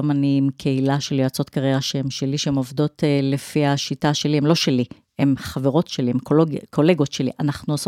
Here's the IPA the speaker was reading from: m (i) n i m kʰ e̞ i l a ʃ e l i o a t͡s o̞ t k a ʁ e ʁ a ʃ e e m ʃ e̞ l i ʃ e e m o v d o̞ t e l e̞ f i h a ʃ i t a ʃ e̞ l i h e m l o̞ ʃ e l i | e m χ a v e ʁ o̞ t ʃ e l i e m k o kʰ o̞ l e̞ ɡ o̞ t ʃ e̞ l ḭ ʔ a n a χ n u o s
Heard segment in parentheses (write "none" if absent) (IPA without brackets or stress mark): a